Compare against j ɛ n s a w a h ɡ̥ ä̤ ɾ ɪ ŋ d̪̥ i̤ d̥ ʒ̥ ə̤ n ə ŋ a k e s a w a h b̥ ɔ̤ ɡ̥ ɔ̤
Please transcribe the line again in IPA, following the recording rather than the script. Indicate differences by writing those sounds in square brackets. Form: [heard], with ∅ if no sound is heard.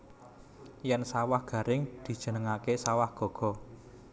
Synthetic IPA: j ɛ n s a w a h ɡ̥ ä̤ ɾ ɪ ŋ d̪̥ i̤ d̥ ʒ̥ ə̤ n ə ŋ a k e s a w a h [ɡ̥] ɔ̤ ɡ̥ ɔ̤